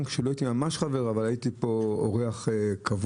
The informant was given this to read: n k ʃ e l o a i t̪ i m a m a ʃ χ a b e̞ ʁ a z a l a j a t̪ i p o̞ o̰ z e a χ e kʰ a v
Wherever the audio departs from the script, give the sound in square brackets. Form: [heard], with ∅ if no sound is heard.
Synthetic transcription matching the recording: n k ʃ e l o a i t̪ i m a m a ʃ χ a [v] e̞ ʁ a [v] a l a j [i] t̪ i p o̞ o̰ [ʁ] e a χ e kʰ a v